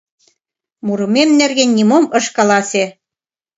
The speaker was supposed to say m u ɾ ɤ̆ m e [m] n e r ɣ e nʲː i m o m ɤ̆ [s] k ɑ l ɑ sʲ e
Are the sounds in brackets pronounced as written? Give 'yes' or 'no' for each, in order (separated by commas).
yes, no